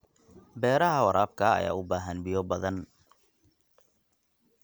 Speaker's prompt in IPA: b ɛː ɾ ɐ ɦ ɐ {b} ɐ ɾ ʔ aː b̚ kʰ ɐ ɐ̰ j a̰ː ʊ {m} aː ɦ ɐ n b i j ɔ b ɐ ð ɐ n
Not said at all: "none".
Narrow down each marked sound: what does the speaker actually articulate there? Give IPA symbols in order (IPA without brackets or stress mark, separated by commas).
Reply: w, b